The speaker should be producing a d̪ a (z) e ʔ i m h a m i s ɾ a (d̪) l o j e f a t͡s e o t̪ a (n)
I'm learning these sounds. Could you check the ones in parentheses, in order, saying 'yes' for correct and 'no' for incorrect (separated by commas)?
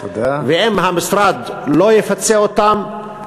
no, yes, no